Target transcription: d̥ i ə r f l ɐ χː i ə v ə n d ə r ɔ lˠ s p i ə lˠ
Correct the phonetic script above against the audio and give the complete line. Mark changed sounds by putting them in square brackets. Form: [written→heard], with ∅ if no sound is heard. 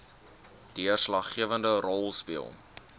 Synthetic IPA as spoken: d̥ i ə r [f→s] l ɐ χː i ə v ə n d ə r ɔ lˠ s p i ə lˠ